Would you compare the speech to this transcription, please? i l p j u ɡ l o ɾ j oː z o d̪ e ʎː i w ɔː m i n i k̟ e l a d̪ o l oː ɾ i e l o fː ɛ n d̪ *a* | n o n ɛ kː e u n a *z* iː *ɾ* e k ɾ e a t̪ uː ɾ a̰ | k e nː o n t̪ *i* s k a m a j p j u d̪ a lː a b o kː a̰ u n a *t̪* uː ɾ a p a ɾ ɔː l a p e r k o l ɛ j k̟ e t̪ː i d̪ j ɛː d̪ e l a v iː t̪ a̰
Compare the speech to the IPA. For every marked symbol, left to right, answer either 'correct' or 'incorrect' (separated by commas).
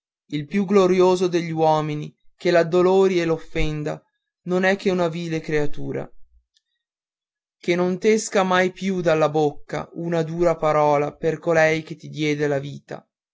correct, incorrect, incorrect, incorrect, incorrect